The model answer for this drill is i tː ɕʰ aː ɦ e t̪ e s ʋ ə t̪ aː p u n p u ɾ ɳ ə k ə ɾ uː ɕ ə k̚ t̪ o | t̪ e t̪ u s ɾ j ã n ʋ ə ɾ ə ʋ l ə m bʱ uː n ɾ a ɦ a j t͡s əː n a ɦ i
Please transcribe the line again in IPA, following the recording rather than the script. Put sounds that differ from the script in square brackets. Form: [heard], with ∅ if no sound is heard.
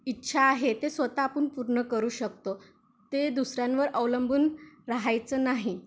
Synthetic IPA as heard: i tː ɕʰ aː ɦ e t̪ e s ʋ ə t̪ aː p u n p u ɾ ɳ ə k ə ɾ uː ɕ ə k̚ t̪ o | t̪ e [d̪] u s ɾ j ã n ʋ ə ɾ ə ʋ l ə m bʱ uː n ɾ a ɦ a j t͡s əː n a ɦ i

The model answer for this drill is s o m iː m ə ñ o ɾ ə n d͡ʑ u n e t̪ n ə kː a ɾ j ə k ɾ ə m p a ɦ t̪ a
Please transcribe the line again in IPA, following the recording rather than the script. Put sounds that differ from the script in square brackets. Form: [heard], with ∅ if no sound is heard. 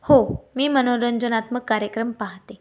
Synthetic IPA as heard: [h] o m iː m ə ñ o ɾ ə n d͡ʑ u n [a] t̪ [m] ə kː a ɾ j ə k ɾ ə m p a ɦ t̪ [e]

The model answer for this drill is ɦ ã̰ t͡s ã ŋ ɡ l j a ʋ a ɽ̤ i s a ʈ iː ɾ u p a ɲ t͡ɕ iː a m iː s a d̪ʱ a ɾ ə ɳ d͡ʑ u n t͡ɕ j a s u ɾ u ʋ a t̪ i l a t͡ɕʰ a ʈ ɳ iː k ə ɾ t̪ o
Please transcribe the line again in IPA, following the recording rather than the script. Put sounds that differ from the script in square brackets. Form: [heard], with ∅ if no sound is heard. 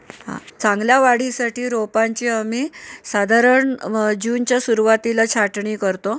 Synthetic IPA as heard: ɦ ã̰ t͡s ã ŋ ɡ l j a ʋ a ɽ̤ i s a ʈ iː ɾ [o] p a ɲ t͡ɕ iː a m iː s a d̪ʱ a ɾ ə ɳ d͡ʑ u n t͡ɕ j a s u ɾ u ʋ a t̪ i l a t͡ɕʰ a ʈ ɳ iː k ə ɾ t̪ o

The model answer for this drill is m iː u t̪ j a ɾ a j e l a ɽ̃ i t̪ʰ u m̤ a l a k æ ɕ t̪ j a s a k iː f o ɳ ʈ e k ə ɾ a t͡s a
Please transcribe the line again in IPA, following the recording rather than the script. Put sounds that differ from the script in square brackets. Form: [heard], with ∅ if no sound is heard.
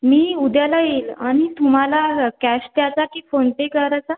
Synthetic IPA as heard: m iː u [d̪] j a [l] a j e l a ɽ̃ i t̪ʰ u m̤ a l a k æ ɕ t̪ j a [t͡s] a k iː f o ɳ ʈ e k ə ɾ a t͡s a

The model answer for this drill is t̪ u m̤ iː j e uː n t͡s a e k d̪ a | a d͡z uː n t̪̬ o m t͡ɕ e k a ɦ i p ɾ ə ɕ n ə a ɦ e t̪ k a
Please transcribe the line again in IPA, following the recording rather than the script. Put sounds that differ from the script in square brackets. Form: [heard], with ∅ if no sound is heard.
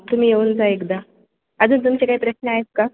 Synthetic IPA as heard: t̪ u m̤ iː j e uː n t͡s a e k d̪ a | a d͡z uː n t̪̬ [u] m t͡ɕ e k a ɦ i p ɾ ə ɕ n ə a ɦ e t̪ k a

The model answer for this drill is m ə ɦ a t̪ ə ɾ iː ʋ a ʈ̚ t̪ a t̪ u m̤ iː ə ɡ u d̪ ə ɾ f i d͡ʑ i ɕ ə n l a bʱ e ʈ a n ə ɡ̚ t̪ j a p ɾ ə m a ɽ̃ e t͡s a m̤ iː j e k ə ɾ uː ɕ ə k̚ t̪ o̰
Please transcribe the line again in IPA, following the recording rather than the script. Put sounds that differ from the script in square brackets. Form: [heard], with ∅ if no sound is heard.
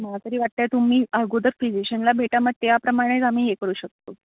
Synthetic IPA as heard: m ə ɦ a t̪ ə ɾ iː ʋ a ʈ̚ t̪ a t̪ u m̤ iː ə ɡ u d̪ ə ɾ f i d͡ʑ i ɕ ə n l a bʱ e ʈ a [m] ə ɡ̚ t̪ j a p ɾ ə m a ɽ̃ e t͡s a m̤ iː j e k ə ɾ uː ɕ ə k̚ t̪ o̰

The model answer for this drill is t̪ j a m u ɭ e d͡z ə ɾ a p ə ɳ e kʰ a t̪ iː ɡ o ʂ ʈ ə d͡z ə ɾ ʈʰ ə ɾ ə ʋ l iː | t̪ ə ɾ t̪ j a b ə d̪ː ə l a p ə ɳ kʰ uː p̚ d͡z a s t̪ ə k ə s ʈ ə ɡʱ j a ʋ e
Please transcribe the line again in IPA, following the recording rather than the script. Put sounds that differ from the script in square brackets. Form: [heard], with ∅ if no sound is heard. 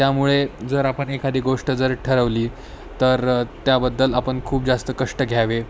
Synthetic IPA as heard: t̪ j a m u ɭ e d͡z ə ɾ a p ə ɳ e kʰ a [d̪] iː ɡ o ʂ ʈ ə d͡z ə ɾ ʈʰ ə ɾ ə ʋ l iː | t̪ ə ɾ t̪ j a b ə d̪ː ə l a p ə ɳ kʰ uː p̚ d͡z a s t̪ ə k ə [ʂ] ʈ ə ɡʱ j a ʋ e

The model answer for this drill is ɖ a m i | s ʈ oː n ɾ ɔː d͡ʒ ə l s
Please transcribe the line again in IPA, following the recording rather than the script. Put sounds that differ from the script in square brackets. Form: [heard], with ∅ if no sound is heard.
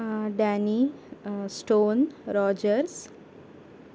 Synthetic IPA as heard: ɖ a [n] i | s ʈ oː n ɾ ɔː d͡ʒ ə [ɾ] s

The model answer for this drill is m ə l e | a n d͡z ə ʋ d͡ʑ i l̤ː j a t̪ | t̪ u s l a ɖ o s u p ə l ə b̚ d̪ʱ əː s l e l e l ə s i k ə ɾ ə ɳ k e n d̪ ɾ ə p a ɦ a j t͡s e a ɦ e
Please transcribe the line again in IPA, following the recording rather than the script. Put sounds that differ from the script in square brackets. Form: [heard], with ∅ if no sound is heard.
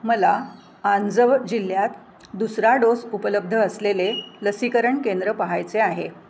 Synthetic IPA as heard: m ə l [a] | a n d͡z ə ʋ d͡ʑ i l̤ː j a t̪ | [d̪] u s [ɾ] a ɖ o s u p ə l ə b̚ d̪ʱ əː s l e l e l ə s i k ə ɾ ə ɳ k e n d̪ ɾ ə p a ɦ a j t͡s e a ɦ e

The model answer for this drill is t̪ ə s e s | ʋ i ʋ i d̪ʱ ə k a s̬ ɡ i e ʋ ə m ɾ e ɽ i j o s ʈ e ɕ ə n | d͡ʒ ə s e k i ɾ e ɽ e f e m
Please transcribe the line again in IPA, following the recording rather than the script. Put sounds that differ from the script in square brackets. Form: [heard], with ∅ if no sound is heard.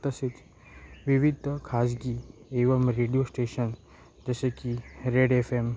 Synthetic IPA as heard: t̪ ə s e [t͡s] | ʋ i ʋ i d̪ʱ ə [kʰ] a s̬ ɡ i e ʋ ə m ɾ e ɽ i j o s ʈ e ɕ ə n | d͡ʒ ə s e k i ɾ e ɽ e f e m

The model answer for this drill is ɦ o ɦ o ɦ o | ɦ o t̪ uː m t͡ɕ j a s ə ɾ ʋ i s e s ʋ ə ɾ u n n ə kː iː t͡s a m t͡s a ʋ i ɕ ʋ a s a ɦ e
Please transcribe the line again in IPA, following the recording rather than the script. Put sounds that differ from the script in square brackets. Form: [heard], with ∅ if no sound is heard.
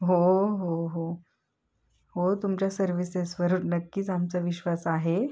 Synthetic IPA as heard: ɦ o ɦ o ɦ o | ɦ o t̪ [u] m t͡ɕ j a s ə ɾ ʋ i s e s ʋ ə ɾ u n n ə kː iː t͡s a m t͡s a ʋ i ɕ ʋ a s a ɦ e

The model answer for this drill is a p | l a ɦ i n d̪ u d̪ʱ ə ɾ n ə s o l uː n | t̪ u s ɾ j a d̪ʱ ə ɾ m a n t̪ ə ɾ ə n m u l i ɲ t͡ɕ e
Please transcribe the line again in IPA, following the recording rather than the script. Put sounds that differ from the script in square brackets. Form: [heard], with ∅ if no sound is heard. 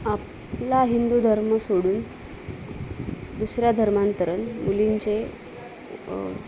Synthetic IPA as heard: a p | l a ɦ i n d̪ u d̪ʱ ə ɾ [m] ə s o [ɽ] uː n | [d̪] u s ɾ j a d̪ʱ ə ɾ m a n t̪ ə ɾ ə n m u l i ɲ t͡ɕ e

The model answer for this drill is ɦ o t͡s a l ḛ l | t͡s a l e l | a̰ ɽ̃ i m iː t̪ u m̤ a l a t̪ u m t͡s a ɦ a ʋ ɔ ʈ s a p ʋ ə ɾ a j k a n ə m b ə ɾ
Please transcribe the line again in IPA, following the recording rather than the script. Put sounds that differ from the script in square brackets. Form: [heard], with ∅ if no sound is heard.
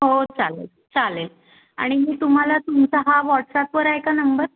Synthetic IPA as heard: ɦ o t͡s a l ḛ l | t͡s a l e l | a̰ ɽ̃ i m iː t̪ u m̤ a l a t̪ u m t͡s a ɦ a ʋ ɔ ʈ s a p ʋ ə ɾ a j k a n ə m b ə ɾ

